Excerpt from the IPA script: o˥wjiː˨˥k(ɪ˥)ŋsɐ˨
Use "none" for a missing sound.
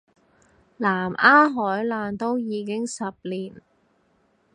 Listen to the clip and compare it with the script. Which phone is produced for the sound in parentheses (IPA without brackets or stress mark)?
ɪ˥